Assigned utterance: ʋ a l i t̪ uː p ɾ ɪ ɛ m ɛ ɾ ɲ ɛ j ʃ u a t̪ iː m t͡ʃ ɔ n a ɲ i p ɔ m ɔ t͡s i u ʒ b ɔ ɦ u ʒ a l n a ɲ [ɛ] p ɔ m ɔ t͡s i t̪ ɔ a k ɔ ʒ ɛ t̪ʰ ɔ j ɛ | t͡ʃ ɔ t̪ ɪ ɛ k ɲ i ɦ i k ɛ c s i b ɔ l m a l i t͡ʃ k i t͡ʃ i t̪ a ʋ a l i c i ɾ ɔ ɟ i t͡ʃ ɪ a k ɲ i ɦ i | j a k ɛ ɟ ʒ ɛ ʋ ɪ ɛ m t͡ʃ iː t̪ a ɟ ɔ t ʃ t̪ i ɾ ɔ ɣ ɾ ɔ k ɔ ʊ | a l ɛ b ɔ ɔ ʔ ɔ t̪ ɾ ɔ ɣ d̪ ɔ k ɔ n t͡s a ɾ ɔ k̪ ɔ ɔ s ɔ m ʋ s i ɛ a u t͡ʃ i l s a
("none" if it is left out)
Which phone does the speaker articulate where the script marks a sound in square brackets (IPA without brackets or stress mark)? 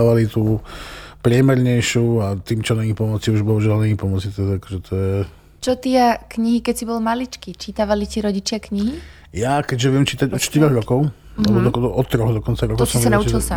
i